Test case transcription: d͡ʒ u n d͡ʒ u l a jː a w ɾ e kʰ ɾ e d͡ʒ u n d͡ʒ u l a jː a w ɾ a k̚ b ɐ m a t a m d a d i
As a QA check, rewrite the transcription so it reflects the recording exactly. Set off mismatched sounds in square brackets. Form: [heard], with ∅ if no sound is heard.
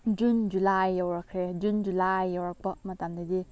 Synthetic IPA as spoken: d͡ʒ u n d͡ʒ u l a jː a w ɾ [a] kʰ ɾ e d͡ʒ u n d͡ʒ u l a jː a w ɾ a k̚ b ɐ m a t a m d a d i